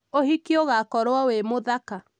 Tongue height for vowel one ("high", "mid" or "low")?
mid